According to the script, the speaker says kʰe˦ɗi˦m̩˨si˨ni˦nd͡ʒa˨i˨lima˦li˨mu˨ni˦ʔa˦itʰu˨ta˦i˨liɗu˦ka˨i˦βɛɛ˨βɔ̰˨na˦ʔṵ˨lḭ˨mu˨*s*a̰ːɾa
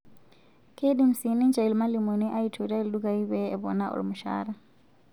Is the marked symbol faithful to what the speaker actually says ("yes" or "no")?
no